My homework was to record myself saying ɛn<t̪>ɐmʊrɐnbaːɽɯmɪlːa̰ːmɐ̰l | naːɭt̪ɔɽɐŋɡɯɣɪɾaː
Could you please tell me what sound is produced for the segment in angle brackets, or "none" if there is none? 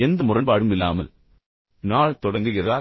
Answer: d̪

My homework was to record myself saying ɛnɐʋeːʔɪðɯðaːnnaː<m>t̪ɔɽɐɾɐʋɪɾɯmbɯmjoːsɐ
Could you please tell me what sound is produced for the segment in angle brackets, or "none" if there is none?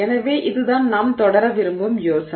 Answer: m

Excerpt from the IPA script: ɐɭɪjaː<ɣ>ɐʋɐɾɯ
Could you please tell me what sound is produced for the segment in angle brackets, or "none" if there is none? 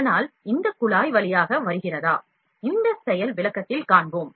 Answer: ɣ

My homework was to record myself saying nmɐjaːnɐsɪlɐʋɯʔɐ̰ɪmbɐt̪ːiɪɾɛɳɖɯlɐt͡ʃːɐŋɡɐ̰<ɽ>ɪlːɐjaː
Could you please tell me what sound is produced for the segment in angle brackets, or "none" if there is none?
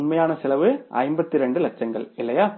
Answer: ɭ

